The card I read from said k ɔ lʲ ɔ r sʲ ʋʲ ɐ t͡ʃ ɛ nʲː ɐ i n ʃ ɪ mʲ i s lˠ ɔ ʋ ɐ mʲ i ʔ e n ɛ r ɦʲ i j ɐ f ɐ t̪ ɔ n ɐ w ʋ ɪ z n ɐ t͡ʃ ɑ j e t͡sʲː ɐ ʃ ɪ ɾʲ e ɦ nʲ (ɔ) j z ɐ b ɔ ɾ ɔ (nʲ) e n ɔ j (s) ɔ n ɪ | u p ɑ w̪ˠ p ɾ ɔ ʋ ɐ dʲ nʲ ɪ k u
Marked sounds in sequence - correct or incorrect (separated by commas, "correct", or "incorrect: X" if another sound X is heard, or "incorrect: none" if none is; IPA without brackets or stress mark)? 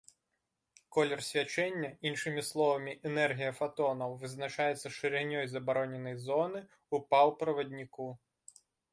correct, correct, incorrect: z